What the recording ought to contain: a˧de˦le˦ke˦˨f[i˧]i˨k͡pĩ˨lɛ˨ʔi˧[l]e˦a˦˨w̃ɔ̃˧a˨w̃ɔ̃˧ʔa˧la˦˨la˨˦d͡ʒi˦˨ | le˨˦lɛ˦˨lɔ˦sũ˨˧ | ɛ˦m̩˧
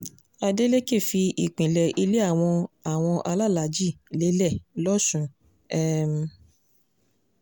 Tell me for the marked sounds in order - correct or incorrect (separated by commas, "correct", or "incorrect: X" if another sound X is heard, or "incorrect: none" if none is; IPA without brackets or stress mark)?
correct, correct